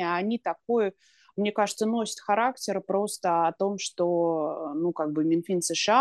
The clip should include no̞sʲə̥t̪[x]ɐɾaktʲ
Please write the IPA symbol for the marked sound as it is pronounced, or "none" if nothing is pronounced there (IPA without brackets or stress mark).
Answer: x